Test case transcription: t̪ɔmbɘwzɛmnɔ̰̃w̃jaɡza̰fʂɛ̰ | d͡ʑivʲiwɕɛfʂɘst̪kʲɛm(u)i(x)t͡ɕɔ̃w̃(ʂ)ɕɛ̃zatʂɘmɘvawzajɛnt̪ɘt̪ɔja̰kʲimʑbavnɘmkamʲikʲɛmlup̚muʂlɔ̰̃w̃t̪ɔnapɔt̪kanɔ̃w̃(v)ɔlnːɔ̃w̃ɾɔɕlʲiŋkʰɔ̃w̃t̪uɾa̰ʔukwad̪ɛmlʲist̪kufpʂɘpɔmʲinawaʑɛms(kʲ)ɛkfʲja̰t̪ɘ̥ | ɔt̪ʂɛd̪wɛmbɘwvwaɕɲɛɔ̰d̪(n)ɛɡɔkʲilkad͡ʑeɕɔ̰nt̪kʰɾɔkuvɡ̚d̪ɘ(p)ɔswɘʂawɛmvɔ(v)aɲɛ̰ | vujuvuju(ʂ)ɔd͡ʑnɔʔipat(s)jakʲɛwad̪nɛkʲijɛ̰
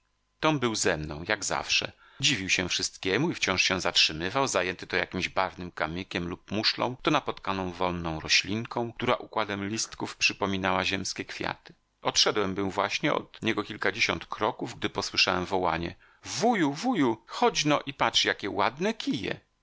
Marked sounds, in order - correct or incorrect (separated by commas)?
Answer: correct, incorrect, correct, correct, correct, incorrect, correct, incorrect, incorrect, incorrect